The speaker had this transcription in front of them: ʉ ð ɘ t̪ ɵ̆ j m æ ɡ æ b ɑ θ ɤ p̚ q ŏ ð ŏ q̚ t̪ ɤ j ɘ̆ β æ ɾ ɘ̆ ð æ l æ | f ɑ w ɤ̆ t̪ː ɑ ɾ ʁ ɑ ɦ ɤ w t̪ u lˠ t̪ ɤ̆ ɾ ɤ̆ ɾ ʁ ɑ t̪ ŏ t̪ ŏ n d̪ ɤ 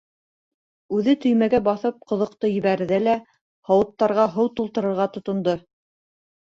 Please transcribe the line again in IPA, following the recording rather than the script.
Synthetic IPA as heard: ʉ ð ɘ t̪ ɵ̆ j m æ ɡ æ b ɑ θ ɤ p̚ q ŏ ð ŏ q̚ t̪ ɤ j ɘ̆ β æ ɾ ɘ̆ ð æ l æ | h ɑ w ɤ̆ t̪ː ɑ ɾ ʁ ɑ ɦ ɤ w t̪ u lˠ t̪ ɤ̆ ɾ ɤ̆ ɾ ʁ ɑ t̪ ŏ t̪ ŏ n d̪ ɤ